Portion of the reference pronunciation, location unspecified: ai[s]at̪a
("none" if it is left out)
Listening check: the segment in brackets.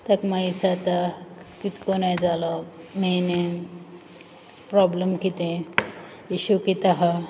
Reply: s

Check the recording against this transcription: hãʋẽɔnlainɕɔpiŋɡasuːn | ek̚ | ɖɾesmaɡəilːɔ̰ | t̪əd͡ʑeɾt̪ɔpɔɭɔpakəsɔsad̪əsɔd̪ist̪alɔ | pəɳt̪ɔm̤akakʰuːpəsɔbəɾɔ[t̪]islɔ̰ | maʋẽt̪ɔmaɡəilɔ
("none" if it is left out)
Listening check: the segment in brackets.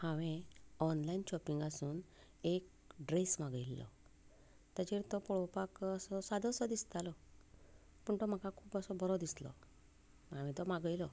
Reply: d̪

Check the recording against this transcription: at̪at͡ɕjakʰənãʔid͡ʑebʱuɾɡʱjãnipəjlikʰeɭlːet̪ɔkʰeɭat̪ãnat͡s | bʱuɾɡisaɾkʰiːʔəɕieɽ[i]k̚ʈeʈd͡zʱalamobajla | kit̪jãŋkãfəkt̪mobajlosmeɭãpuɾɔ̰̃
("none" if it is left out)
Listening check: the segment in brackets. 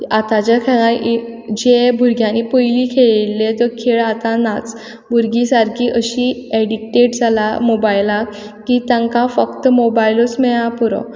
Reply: i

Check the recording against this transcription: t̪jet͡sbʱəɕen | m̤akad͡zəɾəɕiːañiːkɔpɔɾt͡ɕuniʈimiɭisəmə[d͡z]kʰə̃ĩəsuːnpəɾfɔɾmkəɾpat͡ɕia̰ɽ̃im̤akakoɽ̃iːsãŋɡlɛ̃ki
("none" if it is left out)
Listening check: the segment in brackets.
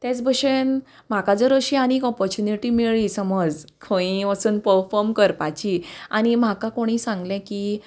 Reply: d͡z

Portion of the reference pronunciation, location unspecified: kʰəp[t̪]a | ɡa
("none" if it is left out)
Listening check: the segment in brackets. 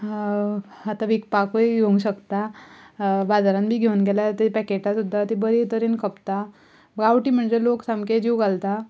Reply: t̪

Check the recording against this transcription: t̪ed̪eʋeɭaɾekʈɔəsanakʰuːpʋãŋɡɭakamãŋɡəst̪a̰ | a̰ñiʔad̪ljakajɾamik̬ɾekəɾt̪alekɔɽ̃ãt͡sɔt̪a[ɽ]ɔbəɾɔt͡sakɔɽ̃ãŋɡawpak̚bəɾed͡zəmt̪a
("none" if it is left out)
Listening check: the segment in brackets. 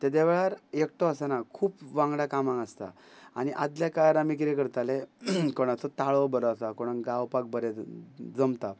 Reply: ɭ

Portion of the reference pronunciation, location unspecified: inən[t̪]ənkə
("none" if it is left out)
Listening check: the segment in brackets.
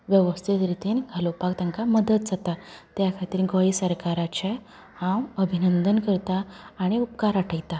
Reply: d̪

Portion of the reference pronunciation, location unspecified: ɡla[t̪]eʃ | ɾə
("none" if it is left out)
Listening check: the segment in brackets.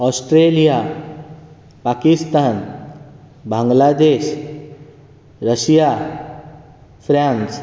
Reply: d̪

